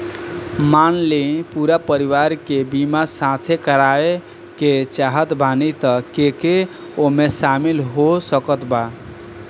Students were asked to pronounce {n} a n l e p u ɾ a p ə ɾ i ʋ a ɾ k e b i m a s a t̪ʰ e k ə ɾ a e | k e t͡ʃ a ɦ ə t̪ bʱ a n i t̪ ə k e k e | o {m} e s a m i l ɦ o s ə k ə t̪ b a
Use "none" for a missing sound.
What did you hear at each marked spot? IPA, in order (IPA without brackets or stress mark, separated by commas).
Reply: m, m